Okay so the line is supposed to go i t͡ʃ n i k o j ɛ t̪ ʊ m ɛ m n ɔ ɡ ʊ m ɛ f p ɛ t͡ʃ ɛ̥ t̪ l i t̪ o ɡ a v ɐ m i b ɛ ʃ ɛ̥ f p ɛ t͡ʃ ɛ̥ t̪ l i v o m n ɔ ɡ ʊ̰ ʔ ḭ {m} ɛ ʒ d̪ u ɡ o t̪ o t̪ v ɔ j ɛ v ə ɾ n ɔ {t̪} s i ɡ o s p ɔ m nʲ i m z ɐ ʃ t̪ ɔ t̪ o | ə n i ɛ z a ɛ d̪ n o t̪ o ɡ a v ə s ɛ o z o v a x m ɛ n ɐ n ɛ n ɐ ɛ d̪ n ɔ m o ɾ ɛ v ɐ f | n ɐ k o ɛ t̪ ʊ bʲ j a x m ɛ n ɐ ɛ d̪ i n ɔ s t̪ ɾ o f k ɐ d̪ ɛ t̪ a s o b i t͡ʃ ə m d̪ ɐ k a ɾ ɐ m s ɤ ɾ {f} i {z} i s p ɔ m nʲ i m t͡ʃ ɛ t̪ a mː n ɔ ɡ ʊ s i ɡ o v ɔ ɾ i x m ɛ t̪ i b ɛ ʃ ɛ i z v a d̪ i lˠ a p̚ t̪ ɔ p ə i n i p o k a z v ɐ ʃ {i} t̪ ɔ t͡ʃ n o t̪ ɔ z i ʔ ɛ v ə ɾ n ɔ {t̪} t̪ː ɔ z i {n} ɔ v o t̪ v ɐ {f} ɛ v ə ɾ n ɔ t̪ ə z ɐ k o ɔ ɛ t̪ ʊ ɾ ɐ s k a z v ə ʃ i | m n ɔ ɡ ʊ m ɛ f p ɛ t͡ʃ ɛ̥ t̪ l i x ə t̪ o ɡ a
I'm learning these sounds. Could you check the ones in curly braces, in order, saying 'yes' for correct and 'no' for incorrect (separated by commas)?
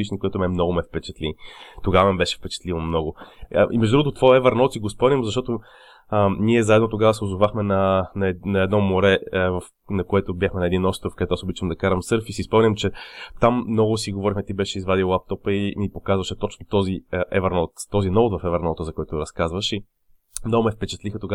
yes, yes, yes, no, no, yes, yes, yes